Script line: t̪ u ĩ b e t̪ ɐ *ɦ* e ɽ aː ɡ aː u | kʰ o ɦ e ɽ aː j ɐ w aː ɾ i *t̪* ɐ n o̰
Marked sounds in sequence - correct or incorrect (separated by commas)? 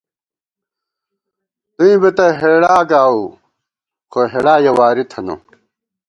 correct, incorrect